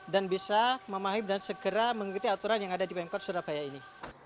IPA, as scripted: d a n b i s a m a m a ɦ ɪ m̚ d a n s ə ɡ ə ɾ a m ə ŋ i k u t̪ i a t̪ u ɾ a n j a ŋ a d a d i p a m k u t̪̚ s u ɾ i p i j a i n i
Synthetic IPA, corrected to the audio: d a n b i s a m ə m a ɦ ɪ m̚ d a n s ə ɡ ə ɾ a m ə ŋ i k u t̪ i a t̪ u ɾ a n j a ŋ a d a d i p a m k ɔ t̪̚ s u ɾ a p a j a i n i